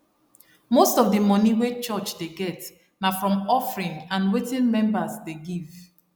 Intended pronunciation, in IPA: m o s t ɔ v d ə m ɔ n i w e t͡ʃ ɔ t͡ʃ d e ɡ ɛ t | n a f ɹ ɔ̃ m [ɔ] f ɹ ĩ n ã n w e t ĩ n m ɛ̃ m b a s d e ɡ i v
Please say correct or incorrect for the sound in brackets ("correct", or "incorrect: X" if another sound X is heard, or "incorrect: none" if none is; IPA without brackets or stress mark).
correct